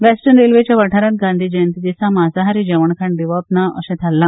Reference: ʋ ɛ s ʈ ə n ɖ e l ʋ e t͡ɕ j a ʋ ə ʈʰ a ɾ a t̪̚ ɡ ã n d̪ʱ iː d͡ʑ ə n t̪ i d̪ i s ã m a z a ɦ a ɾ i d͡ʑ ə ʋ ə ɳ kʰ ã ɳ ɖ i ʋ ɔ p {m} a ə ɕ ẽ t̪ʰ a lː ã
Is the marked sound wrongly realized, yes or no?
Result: yes